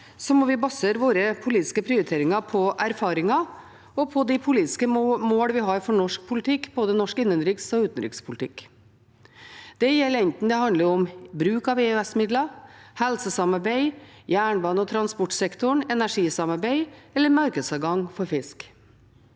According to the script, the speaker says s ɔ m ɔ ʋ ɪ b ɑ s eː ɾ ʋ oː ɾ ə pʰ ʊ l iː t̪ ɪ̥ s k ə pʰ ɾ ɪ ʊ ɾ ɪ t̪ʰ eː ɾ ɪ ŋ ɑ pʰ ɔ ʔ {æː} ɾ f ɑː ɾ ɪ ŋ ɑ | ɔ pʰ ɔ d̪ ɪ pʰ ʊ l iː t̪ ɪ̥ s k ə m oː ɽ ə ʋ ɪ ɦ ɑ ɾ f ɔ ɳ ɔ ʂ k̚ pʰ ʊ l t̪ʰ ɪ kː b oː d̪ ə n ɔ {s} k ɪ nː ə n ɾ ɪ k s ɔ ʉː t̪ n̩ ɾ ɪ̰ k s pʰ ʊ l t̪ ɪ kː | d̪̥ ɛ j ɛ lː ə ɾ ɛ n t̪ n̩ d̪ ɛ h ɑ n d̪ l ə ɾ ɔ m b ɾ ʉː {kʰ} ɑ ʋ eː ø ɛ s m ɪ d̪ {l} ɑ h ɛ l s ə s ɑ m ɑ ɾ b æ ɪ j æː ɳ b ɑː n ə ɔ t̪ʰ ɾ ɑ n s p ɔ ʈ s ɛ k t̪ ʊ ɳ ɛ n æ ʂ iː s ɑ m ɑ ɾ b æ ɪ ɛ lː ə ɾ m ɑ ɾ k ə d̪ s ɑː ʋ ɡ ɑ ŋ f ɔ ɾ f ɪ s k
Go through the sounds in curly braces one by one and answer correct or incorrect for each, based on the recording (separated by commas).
incorrect, incorrect, incorrect, correct